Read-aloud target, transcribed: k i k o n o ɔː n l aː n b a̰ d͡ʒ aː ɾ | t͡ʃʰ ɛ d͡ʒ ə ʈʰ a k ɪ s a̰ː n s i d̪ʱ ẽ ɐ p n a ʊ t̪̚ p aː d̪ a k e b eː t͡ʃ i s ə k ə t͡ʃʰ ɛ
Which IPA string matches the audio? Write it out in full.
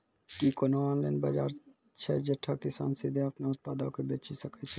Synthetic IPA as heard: k i k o n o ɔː n l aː n b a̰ d͡ʒ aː ɾ | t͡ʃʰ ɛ d͡ʒ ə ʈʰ a k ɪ s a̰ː n s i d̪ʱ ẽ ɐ p n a ʊ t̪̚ p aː d̪ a k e b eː t͡ʃ i s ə k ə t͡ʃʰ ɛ